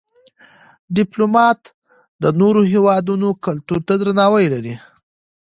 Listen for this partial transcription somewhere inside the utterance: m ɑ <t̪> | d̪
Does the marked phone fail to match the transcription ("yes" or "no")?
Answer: no